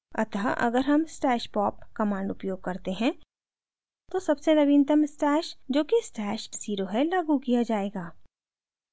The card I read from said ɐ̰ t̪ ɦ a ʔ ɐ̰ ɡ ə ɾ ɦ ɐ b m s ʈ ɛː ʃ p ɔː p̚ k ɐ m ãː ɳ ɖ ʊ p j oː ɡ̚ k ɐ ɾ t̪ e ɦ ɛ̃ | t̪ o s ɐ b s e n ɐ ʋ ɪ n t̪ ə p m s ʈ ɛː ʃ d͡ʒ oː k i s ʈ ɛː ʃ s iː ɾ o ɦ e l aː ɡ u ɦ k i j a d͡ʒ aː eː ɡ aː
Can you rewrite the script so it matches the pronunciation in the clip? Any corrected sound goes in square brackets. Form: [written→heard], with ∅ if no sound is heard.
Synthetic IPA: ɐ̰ t̪ ɦ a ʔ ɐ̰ ɡ ə ɾ ɦ ɐ [b→∅] m s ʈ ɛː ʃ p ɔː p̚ k ɐ m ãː ɳ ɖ ʊ p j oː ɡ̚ k ɐ ɾ t̪ e ɦ ɛ̃ | t̪ o s ɐ b s e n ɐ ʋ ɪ n t̪ ə [p→∅] m s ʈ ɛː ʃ d͡ʒ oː k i s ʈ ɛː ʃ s iː ɾ o ɦ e l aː ɡ u [ɦ→∅] k i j a d͡ʒ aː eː ɡ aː